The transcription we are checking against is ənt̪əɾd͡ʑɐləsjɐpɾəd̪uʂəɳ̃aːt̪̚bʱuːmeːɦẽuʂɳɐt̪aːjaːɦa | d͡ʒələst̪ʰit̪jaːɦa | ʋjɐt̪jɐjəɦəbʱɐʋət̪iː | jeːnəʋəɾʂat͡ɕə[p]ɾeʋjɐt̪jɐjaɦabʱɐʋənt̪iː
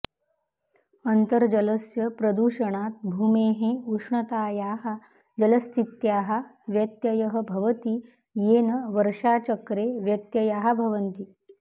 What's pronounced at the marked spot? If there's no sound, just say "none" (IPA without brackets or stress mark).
k